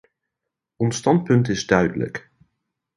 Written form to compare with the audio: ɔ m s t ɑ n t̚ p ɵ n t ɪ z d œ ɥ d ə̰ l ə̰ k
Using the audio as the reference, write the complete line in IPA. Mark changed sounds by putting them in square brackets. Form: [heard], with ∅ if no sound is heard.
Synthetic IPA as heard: ɔ [n] s t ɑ n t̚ p ɵ n t ɪ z d œ ɥ d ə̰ l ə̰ k